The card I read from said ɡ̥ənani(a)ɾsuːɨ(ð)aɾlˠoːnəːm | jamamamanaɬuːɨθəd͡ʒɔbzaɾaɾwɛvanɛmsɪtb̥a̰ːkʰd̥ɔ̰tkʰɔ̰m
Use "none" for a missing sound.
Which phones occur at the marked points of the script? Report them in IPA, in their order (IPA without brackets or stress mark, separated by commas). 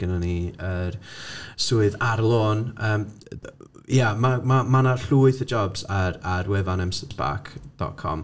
ə, ð